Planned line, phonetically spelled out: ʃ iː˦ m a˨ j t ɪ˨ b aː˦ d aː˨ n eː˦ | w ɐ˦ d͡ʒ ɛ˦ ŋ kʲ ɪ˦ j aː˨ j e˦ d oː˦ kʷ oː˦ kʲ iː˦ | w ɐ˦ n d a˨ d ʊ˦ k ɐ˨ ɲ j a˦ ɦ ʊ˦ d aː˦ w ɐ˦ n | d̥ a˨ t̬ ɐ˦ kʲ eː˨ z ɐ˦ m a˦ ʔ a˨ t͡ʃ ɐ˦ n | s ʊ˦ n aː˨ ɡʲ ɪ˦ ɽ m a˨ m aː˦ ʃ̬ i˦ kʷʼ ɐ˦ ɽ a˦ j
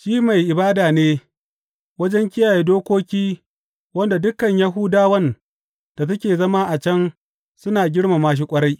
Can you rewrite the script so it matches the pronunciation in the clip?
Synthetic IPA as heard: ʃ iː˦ m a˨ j ʔ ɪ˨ b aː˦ d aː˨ n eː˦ | w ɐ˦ d͡ʒ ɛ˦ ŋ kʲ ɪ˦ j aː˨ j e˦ d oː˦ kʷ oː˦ kʲ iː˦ | w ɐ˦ n d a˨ d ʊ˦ k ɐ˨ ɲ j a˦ ɦ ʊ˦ d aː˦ w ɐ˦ n | d̥ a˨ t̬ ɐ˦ kʲ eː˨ z ɐ˦ m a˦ ʔ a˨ t͡ʃ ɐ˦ n | s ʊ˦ n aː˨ ɡʲ ɪ˦ ɽ m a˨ m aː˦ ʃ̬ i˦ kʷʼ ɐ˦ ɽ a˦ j